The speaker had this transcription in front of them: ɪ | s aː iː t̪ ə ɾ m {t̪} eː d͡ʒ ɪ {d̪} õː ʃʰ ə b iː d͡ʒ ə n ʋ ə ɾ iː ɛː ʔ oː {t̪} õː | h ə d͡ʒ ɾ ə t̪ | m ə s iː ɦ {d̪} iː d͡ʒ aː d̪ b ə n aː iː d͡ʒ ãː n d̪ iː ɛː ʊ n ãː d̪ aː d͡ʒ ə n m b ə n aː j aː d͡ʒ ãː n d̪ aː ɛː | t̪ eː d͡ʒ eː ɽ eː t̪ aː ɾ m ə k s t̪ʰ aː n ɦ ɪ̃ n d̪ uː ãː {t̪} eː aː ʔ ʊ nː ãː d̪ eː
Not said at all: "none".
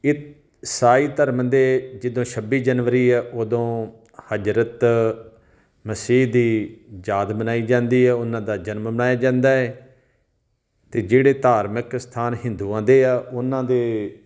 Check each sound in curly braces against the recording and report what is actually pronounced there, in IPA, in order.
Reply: d̪, d̪, d̪, d̪, d̪

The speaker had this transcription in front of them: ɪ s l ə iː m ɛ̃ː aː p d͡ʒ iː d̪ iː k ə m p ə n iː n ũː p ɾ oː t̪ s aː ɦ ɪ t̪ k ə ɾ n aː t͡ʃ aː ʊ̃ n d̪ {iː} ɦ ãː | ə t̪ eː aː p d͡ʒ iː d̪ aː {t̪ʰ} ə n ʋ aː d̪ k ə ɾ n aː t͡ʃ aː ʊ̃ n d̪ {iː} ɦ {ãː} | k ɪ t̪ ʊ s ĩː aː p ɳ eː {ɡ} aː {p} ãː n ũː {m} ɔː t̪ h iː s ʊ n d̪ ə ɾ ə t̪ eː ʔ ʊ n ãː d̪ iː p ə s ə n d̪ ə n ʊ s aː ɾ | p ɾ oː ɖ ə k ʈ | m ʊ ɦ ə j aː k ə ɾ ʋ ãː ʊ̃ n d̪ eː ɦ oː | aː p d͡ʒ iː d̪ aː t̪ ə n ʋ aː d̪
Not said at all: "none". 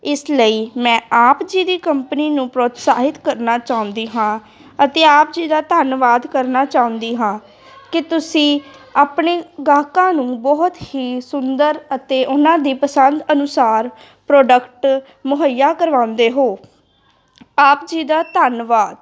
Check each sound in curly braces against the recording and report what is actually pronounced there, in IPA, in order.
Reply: iː, t̪, iː, ãː, ɡ, k, b

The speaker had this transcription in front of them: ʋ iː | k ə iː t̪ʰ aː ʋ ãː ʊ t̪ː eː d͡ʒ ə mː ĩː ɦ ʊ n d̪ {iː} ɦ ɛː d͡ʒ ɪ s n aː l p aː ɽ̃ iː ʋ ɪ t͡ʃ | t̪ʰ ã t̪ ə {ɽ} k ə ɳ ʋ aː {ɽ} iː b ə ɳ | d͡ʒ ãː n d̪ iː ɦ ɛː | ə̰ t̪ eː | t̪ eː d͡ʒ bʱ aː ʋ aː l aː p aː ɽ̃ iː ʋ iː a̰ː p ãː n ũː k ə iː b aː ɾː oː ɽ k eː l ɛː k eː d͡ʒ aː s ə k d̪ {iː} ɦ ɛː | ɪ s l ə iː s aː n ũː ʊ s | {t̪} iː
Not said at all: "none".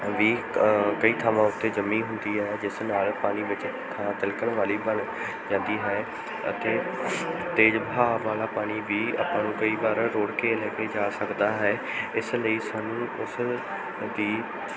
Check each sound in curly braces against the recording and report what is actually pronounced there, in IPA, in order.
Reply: iː, l, l, aː, d̪

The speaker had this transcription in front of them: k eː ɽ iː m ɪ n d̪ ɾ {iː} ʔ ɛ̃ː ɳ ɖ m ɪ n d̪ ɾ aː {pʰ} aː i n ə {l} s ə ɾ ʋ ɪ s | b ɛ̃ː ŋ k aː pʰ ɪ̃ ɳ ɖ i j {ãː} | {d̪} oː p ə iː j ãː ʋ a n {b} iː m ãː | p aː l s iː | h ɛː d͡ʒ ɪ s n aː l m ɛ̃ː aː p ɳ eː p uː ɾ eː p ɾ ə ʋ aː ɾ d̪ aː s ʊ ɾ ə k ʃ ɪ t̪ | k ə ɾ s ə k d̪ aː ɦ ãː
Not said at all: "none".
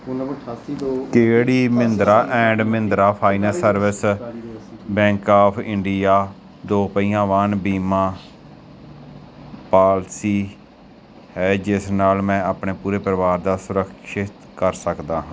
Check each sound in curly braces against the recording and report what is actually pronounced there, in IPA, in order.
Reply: aː, pʰ, l, aː, d̪, b

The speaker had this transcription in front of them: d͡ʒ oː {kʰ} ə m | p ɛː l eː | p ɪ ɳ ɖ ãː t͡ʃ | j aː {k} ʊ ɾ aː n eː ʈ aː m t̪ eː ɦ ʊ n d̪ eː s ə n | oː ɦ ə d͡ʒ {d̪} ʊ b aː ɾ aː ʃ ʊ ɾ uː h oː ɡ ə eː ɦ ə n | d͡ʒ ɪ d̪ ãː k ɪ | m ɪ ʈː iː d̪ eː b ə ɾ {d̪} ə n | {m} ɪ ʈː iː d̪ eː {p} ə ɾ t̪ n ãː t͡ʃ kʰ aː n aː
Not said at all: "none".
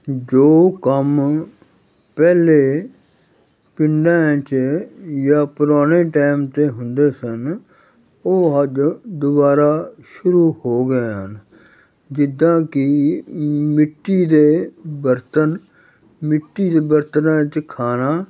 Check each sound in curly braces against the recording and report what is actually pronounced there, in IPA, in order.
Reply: k, p, d̪, t̪, m, b

